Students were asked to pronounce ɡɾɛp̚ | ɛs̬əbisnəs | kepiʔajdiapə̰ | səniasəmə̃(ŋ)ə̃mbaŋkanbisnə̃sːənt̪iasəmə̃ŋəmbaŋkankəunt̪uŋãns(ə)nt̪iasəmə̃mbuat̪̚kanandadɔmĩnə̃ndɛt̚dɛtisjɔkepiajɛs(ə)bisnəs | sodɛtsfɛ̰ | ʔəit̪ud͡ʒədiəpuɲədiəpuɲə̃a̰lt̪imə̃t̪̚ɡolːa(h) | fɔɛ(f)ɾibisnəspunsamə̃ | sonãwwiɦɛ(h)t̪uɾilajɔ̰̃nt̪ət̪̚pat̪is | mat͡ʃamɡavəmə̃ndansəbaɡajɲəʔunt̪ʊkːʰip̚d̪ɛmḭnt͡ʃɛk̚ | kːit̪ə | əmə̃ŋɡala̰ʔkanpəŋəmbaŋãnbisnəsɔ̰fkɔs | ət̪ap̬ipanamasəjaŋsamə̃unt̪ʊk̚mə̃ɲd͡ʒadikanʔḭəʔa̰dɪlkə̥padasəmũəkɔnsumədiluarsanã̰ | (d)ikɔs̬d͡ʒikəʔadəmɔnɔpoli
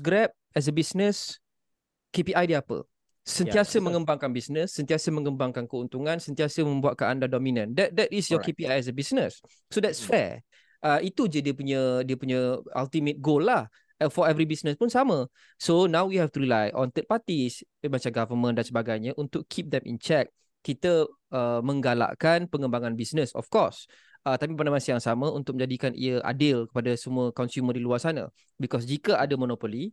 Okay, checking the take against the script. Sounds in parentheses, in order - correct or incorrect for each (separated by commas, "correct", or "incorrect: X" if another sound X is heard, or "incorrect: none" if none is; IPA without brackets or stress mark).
correct, correct, correct, correct, incorrect: v, incorrect: f, incorrect: b